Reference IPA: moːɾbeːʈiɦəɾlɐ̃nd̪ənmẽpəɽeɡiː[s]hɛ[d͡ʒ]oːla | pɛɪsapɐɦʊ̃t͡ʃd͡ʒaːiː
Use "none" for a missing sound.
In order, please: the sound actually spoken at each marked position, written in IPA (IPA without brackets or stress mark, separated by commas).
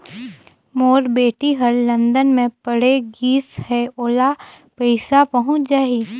s, none